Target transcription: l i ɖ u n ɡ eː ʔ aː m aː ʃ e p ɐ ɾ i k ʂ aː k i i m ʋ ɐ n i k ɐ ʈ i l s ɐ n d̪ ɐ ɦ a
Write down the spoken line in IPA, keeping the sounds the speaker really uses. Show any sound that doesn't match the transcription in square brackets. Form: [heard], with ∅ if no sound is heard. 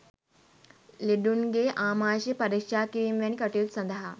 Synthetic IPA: l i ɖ u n ɡ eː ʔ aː m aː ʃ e p ɐ ɾ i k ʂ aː k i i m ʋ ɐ n i k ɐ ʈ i l s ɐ n d̪ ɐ ɦ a